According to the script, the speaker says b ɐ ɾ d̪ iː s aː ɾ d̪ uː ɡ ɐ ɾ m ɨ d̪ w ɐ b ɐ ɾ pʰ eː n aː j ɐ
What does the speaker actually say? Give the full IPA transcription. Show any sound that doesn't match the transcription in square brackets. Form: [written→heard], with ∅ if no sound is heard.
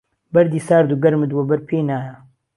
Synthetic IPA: b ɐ ɾ d̪ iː s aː ɾ d̪ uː ɡ ɐ ɾ m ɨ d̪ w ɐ b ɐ ɾ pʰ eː n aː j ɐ

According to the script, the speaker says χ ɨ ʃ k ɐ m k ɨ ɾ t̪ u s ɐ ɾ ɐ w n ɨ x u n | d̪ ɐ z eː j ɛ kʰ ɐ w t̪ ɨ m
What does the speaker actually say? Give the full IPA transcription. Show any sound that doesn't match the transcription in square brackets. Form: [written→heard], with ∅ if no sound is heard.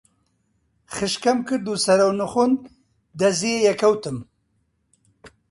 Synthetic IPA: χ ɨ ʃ k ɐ m k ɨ ɾ [t̪→d̪] u s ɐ ɾ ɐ w n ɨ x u n | d̪ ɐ z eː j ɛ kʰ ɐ w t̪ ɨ m

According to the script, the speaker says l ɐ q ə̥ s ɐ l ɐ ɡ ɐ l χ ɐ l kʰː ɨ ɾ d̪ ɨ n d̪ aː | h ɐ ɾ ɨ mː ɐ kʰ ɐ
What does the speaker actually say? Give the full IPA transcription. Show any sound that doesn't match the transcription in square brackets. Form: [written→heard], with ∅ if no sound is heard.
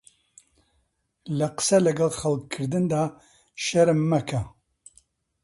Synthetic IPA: l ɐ q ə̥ s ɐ l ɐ ɡ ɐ l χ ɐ l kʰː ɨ ɾ d̪ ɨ n d̪ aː | [h→ʃ] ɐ ɾ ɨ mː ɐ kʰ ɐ

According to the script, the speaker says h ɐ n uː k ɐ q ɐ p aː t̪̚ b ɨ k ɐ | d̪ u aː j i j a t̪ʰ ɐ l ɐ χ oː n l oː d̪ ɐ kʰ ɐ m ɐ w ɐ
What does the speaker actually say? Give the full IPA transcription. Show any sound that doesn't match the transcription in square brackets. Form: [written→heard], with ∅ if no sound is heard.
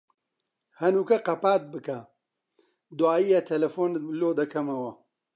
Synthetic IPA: h ɐ n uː k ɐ q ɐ p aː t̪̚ b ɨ k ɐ | d̪ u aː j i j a t̪ʰ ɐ l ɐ [χ→f] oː n l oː d̪ ɐ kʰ ɐ m ɐ w ɐ

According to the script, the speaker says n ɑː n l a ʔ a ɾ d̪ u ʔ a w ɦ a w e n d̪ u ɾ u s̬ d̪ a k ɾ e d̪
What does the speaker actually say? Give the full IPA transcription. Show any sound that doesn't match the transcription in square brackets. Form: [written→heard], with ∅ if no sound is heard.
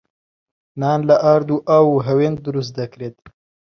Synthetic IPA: n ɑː n l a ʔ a ɾ d̪ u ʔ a w ɦ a w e n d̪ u ɾ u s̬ d̪ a k ɾ e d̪

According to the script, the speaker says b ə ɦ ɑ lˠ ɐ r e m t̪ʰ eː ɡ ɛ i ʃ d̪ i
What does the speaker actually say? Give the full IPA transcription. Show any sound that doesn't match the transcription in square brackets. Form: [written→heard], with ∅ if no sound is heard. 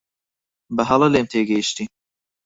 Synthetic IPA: b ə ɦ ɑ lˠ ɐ [r→l] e m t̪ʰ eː ɡ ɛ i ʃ [d̪→t̪] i

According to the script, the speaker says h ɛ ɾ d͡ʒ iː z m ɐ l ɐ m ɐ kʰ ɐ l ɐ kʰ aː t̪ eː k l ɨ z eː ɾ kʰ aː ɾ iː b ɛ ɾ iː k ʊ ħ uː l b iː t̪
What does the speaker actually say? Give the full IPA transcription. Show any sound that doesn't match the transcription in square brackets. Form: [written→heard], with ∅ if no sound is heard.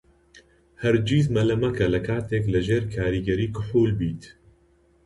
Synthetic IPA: h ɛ ɾ d͡ʒ iː z m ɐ l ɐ m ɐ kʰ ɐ l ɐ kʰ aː t̪ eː k l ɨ [z→ʒ] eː ɾ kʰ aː ɾ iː [b→ɡ] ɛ ɾ iː k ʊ ħ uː l b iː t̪

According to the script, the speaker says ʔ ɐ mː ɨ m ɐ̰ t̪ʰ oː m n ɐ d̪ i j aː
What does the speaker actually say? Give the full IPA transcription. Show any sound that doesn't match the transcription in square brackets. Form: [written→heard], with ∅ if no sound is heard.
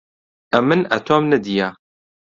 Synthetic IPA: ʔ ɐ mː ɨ [m→n] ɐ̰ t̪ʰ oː m n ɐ d̪ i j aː

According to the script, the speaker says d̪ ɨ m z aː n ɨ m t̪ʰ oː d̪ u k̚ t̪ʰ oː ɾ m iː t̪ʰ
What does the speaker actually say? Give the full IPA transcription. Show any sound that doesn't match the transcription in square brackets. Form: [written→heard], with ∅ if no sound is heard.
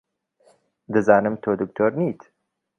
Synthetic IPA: d̪ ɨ [m→∅] z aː n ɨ m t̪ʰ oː d̪ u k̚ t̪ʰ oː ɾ [m→n] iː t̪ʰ

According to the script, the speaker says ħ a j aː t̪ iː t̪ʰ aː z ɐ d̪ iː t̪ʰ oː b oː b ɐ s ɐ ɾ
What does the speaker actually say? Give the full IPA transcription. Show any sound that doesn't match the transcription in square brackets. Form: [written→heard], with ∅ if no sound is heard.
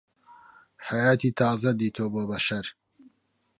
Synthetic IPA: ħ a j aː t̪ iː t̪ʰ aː z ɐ d̪ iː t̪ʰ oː b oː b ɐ [s→ʃ] ɐ ɾ

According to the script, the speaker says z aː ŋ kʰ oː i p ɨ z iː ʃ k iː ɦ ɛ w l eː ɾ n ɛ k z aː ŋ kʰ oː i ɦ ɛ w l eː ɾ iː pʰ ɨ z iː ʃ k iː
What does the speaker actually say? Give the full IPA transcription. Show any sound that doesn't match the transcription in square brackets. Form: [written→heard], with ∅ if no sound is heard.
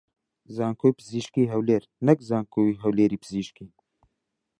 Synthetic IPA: z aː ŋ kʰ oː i p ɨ z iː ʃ k iː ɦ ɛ w l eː ɾ n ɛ k z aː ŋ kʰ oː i ɦ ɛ w l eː ɾ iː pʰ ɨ z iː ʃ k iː

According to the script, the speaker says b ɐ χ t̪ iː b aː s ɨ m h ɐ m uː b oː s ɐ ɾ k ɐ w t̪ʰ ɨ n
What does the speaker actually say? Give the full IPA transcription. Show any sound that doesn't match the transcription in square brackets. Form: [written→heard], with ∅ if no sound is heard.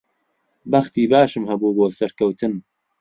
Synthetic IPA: b ɐ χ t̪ iː b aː [s→ʃ] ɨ m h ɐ [m→b] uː b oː s ɐ ɾ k ɐ w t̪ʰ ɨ n

